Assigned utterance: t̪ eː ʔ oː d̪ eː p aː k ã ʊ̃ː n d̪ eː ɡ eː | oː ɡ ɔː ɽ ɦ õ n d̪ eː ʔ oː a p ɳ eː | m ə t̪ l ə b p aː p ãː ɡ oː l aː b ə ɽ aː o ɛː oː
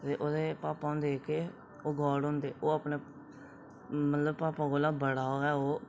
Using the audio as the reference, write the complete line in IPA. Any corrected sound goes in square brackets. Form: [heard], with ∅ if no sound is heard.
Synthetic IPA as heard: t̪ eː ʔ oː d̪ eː p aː [p] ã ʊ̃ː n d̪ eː [k] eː | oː ɡ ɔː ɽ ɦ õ n d̪ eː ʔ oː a p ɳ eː | m ə t̪ l ə b p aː p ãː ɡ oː l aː b ə ɽ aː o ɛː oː